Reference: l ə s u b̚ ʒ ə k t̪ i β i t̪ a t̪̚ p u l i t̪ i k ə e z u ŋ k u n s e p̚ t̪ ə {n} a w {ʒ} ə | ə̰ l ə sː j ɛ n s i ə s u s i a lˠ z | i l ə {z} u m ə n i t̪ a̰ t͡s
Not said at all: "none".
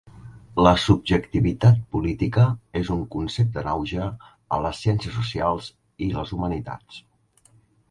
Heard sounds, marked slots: n, ʒ, z

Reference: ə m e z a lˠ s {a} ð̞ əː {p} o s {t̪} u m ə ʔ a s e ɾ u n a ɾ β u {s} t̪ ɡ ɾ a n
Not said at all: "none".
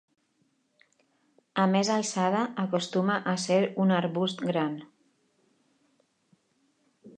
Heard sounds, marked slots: a, k, t̪, s

